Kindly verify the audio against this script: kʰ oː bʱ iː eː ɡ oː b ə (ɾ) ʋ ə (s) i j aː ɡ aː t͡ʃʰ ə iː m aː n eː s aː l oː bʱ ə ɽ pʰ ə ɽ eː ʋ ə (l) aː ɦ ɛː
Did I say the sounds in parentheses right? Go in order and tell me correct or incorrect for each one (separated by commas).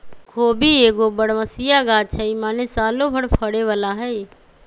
incorrect, correct, correct